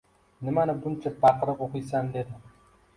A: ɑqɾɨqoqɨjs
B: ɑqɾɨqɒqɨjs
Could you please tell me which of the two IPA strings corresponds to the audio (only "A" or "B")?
A